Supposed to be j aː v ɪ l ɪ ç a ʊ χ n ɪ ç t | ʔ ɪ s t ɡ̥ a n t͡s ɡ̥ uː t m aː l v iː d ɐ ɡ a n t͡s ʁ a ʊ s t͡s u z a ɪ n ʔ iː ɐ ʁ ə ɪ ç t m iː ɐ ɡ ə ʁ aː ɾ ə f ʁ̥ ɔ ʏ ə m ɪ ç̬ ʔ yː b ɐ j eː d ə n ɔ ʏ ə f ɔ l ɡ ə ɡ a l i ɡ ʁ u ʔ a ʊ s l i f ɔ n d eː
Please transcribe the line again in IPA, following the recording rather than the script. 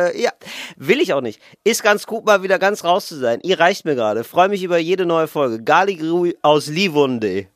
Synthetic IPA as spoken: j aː v ɪ l ɪ ç a ʊ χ n ɪ ç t | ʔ ɪ s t ɡ̥ a n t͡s ɡ̥ uː t m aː l v iː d ɐ ɡ a n t͡s ʁ a ʊ s t͡s u z a ɪ n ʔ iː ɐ ʁ a ɪ ç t m iː ɐ ɡ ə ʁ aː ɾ ə f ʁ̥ ɔ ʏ ə m ɪ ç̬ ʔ yː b ɐ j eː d ə n ɔ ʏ ə f ɔ l ɡ ə ɡ a l i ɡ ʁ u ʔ a ʊ s l i v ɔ n d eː